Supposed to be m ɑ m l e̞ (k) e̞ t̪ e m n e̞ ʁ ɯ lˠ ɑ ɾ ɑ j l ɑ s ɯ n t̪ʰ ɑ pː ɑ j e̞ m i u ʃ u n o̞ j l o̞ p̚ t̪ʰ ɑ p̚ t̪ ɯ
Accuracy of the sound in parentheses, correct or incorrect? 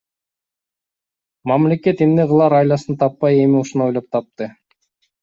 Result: correct